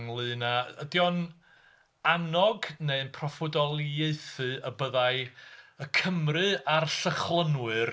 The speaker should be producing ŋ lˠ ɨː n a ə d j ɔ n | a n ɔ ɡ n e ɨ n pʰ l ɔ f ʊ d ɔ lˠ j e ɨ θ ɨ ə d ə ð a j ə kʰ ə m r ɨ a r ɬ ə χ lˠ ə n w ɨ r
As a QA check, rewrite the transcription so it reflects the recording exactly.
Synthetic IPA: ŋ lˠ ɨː n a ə d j ɔ n | a n ɔ ɡ n e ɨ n pʰ r ɔ f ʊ d ɔ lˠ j e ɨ θ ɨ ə b ə ð a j ə kʰ ə m r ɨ a r ɬ ə χ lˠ ə n w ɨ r